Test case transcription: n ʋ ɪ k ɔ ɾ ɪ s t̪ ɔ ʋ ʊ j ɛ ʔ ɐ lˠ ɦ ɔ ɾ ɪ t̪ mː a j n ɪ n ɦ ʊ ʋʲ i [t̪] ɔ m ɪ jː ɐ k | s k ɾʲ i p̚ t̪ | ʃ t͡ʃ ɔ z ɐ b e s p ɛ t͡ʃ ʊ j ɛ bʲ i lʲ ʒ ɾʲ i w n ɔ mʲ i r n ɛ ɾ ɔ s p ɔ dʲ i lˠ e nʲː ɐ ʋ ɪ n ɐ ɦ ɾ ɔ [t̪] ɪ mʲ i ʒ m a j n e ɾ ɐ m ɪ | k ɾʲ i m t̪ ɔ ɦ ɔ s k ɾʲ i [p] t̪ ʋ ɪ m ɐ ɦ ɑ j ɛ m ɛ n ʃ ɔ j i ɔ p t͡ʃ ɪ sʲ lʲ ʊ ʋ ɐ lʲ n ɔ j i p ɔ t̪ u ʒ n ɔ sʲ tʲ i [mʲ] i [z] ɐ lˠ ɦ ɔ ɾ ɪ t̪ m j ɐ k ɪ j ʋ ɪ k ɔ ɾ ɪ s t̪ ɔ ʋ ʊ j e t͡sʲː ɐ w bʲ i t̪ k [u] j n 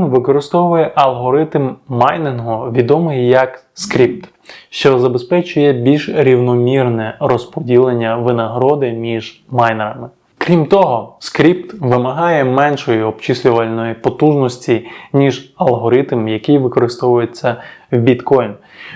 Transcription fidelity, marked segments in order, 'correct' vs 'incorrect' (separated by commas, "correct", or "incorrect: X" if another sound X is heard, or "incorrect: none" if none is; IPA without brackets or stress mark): incorrect: d̪, incorrect: d̪, correct, incorrect: nʲ, incorrect: ʒ, incorrect: ɔ